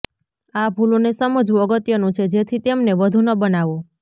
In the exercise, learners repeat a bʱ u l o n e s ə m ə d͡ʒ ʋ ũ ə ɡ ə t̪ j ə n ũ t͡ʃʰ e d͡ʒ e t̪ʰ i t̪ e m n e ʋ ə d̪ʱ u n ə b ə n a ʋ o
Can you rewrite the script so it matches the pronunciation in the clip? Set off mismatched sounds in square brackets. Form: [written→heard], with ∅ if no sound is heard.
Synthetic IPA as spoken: a bʱ u l o n e s ə m ə d͡ʒ ʋ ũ ə ɡ ə t̪ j ə n ũ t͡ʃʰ e d͡ʒ e t̪ʰ i t̪ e m n e ʋ ə d̪ʱ u n ə b ə n a ʋ o